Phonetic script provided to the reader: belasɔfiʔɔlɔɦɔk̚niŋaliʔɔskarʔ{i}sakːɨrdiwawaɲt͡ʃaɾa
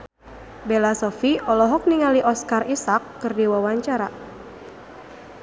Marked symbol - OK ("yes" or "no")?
yes